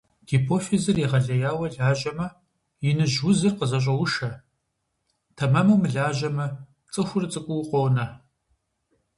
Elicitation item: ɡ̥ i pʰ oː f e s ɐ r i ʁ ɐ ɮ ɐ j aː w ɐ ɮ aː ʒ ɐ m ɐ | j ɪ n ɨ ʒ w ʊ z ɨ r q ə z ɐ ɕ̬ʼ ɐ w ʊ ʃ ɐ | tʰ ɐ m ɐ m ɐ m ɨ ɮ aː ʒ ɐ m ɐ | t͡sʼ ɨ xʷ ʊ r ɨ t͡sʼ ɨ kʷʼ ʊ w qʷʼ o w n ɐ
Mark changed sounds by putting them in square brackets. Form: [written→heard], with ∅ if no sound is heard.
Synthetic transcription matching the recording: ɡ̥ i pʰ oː f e [s→z] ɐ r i ʁ ɐ ɮ ɐ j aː w ɐ ɮ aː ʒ ɐ m ɐ | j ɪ n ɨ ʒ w ʊ z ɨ r q ə z ɐ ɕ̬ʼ ɐ w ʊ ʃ ɐ | tʰ ɐ m ɐ m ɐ m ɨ ɮ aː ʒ ɐ m ɐ | t͡sʼ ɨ xʷ ʊ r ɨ t͡sʼ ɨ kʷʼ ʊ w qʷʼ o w n ɐ